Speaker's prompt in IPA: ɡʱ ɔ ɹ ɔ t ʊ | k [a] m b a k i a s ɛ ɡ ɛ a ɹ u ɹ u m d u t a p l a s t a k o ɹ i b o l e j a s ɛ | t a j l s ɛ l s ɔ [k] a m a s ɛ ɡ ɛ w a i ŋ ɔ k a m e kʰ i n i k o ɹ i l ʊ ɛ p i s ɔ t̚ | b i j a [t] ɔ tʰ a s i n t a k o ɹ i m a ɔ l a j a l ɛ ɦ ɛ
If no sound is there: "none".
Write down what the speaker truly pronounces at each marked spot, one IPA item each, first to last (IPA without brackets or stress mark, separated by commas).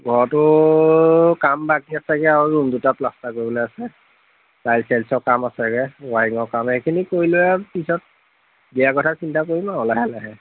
a, k, k